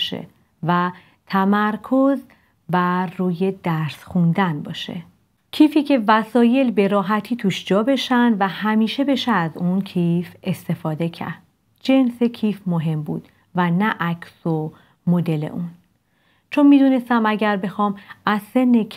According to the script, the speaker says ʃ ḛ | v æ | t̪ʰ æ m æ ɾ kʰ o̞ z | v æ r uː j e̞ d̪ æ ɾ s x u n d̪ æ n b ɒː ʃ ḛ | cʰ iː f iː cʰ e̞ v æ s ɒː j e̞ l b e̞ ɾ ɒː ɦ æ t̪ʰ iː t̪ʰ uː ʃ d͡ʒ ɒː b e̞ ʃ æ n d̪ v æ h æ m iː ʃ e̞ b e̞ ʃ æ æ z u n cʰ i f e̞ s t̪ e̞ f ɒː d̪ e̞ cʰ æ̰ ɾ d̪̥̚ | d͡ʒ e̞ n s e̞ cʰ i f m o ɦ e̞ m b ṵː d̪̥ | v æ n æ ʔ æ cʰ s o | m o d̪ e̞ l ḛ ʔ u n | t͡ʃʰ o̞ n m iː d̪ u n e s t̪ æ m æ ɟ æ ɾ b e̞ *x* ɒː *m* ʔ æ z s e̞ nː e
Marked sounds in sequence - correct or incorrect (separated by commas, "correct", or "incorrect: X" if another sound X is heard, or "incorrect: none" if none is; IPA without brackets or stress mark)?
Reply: correct, correct